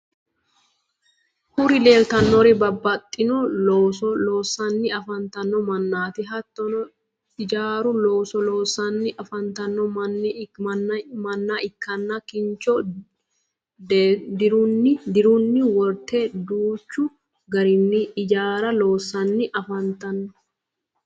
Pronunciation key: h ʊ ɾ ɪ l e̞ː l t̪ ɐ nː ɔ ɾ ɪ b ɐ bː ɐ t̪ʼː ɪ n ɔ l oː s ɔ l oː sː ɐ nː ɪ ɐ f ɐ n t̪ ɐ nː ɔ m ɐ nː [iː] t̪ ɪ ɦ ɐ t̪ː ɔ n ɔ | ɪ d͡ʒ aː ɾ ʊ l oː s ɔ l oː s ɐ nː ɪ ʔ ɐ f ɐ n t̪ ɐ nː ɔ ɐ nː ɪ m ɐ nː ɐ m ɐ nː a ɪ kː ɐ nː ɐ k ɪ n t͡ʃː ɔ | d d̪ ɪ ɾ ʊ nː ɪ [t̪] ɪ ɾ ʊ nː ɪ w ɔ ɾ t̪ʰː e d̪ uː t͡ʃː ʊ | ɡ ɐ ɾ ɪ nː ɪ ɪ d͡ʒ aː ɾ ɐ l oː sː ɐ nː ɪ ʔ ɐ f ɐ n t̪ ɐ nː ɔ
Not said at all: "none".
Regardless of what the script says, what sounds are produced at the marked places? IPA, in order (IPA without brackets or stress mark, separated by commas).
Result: aː, d̪